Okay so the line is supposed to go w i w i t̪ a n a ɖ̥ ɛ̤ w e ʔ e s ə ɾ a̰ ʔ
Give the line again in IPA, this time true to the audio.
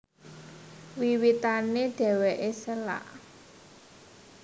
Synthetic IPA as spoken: w i w i t̪ a n e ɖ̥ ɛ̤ w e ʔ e s ə l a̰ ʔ

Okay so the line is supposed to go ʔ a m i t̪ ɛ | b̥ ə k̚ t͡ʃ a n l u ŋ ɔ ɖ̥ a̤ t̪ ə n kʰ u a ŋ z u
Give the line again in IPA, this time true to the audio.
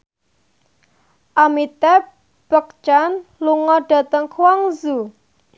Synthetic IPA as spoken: ʔ a m i t̪ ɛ | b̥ ə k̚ t͡ʃ a n l u ŋ ɔ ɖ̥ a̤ t̪ ə ŋ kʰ w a ŋ z u

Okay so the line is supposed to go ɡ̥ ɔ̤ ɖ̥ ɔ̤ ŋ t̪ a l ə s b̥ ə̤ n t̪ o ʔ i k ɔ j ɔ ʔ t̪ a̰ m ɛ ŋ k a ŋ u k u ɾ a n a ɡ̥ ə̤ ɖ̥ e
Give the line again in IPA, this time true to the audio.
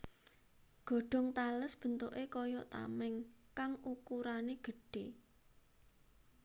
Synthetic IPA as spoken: ɡ̥ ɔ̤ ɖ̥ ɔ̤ ŋ t̪ a l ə s b̥ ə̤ n t̪ o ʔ e k ɔ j ɔ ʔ t̪ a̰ m ɛ ŋ k a ŋ u k u ɾ a n e ɡ̥ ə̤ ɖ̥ e

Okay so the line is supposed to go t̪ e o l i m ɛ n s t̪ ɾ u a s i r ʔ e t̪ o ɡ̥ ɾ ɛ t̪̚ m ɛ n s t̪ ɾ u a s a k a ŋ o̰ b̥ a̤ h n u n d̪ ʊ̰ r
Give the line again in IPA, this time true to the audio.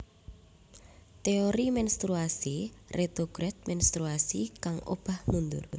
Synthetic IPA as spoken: t̪ e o ɾ i m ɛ n s t̪ ɾ u a s i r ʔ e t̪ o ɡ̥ ɾ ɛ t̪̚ m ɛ n s t̪ ɾ u a s i k a ŋ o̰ b̥ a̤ h n u n d̪ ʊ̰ r

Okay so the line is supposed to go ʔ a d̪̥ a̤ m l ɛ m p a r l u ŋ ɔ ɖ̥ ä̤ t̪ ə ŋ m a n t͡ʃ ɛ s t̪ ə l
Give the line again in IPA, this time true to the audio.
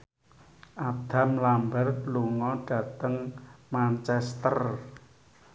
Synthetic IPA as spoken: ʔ a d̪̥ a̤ m l a m b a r l u ŋ ɔ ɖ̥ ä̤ t̪ ə ŋ m a n t͡ʃ ɛ s t̪ ə r

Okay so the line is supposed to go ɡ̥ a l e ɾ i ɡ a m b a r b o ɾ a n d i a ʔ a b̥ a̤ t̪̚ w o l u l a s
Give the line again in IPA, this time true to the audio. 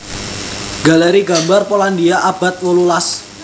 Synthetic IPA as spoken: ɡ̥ a l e ɾ i ɡ a m b a r p o l a n d i a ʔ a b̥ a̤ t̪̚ w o l u l a s

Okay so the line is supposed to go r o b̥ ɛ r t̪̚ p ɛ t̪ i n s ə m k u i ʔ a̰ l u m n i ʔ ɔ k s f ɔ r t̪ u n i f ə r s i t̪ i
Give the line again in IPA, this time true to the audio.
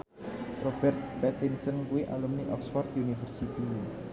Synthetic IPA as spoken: r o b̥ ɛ r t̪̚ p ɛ t̪ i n s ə n k u i ʔ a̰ l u m n i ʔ ɔ k s f ɔ r t̪ u n i f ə r s i t̪ i

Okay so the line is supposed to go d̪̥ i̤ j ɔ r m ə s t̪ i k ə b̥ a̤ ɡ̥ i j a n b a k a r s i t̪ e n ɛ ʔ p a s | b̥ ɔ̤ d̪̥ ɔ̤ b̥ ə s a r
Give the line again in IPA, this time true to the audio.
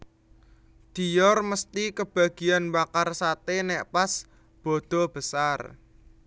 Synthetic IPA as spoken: d̪̥ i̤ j ɔ r m ə s t̪ i k ə b̥ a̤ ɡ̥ i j a n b a k a r s a t̪ e n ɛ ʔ p a s | b̥ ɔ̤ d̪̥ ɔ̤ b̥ ə s a r

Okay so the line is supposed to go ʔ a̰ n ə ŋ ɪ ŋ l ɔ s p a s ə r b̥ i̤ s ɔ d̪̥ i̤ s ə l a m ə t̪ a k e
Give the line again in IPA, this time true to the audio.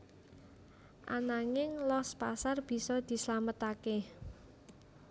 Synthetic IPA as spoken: ʔ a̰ n a ŋ ɪ ŋ l ɔ s p a s a r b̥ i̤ s ɔ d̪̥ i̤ s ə l a m ə t̪ a k e

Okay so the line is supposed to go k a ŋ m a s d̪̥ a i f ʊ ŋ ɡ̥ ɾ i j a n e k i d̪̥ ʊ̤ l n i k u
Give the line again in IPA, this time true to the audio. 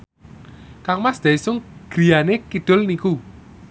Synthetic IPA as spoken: k a ŋ m a s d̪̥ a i s ʊ ŋ ɡ̥ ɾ i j a n e k i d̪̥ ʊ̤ l n i k u

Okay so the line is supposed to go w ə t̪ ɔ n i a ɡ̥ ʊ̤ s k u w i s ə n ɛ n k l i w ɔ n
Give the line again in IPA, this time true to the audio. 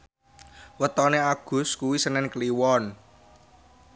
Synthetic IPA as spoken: w ə t̪ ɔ n e a ɡ̥ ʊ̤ s k u w i s ə n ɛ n k l i w ɔ n

